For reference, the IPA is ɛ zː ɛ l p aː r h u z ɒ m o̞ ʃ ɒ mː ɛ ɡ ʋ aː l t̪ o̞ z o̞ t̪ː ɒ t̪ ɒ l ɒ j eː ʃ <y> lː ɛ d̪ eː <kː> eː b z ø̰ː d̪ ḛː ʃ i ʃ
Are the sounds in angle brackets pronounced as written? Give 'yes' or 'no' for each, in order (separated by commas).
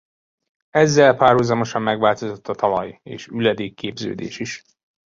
yes, yes